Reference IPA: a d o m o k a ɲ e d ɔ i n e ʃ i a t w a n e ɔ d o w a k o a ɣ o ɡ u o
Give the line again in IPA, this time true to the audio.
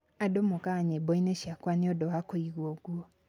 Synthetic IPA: a d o m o k a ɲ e b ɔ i n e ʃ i a k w a n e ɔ d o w a k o i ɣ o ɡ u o